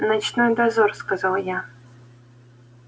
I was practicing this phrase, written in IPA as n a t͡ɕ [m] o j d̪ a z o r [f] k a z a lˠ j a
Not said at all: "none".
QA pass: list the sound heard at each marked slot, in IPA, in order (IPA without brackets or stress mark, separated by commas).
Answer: n, s